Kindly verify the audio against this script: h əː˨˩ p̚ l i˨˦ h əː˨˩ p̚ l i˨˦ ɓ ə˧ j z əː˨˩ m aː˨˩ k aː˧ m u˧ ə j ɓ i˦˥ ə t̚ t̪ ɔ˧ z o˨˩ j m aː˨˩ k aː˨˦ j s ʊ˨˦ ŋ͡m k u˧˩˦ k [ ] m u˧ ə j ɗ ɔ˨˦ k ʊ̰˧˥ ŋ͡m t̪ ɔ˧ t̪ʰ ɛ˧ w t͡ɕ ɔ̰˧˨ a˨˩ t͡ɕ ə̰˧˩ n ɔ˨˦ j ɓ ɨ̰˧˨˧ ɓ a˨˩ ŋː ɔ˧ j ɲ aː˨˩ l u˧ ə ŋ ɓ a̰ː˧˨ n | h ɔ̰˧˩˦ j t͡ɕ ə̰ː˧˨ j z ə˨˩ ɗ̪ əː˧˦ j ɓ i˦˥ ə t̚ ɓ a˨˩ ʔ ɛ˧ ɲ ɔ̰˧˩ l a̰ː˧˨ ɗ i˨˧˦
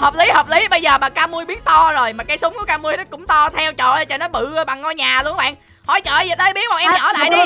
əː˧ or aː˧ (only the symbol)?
aː˧